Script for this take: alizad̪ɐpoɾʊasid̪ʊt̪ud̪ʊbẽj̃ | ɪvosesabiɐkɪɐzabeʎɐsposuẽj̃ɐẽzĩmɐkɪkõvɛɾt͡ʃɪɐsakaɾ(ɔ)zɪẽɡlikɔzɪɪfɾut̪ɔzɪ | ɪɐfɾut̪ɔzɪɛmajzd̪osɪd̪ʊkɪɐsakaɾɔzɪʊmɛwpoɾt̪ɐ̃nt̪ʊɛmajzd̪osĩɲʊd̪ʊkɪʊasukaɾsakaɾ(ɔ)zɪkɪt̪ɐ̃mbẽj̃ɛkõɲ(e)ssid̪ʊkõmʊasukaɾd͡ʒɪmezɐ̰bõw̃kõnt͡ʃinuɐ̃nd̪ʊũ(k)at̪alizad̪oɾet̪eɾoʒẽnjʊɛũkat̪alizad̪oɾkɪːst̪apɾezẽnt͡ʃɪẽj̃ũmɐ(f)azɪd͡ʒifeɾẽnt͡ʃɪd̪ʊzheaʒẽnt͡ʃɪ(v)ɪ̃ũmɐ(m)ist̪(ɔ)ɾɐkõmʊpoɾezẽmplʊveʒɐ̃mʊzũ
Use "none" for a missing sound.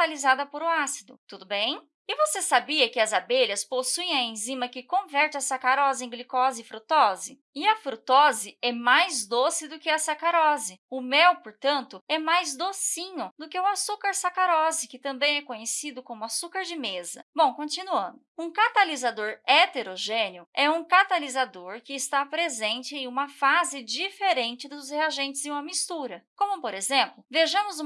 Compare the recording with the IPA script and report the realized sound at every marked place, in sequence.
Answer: ɔ, ɔ, e, k, f, z, m, u

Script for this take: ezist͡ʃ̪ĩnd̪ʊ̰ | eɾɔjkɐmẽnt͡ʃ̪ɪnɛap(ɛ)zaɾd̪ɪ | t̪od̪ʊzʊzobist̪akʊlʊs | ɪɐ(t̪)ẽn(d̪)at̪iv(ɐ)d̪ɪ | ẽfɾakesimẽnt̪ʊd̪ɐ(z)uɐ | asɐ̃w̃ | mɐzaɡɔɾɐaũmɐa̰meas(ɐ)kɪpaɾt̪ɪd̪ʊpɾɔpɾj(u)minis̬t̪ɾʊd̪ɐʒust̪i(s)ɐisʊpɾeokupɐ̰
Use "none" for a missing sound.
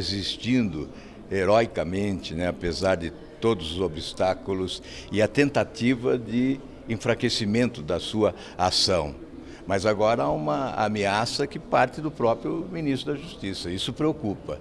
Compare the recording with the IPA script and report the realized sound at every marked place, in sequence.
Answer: e, t̪, t̪, ɐ, s, ɐ, ʊ, s

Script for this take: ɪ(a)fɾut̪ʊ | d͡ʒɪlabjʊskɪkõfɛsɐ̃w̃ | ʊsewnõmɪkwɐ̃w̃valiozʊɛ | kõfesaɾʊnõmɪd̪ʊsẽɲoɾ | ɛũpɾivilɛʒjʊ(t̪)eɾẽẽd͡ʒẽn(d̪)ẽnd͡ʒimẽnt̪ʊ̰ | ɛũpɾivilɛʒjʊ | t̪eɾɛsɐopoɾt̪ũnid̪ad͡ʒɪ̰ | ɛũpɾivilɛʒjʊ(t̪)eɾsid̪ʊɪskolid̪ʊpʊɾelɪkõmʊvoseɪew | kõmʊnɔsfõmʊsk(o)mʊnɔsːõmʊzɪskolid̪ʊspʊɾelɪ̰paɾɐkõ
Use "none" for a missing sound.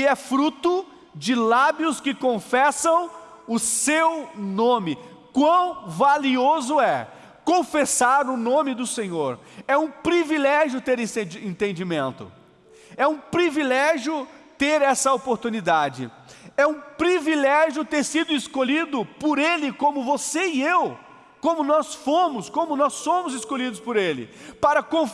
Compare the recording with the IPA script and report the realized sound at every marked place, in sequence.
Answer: ɛ, t̪, t̪, t̪, õ

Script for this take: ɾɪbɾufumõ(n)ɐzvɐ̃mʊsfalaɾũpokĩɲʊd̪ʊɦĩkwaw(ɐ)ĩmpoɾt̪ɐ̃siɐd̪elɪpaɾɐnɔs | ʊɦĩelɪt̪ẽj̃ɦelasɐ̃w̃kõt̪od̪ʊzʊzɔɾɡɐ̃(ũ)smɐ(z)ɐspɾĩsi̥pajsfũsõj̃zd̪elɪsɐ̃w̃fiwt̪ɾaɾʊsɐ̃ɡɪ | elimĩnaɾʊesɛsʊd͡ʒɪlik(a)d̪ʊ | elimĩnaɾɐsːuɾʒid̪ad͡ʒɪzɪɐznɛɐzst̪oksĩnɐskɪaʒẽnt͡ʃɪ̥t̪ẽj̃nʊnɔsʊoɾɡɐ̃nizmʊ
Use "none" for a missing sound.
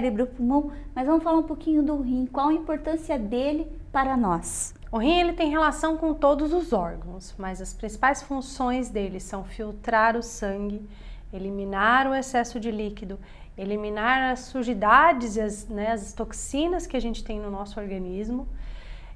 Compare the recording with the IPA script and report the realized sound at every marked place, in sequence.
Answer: m, ɐ, w̃, z, i

